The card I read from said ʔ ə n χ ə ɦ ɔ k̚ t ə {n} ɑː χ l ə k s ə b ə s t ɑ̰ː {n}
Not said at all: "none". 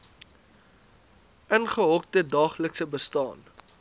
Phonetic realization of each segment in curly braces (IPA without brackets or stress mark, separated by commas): d, n